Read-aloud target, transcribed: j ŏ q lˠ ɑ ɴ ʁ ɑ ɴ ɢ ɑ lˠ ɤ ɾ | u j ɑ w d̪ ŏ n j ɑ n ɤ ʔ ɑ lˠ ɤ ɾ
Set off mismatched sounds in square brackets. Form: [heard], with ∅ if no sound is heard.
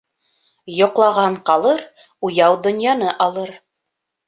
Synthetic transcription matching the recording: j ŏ q lˠ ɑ [∅] ʁ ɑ ɴ [q] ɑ lˠ ɤ ɾ | u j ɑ w d̪ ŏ n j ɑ n ɤ ʔ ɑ lˠ ɤ ɾ